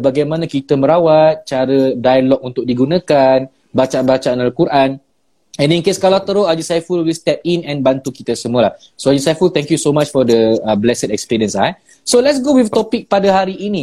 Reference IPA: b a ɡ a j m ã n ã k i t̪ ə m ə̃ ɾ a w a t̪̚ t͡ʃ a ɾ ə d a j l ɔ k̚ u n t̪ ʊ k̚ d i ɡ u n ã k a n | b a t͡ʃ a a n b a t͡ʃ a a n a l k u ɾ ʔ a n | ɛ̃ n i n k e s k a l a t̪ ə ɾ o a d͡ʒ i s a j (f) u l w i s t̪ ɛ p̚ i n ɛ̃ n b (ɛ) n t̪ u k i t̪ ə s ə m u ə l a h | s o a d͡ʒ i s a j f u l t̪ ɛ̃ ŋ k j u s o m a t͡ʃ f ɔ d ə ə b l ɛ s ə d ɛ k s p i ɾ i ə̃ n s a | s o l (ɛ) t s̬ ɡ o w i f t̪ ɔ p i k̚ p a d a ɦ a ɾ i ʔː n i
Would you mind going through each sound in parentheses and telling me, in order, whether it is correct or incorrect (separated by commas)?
correct, incorrect, correct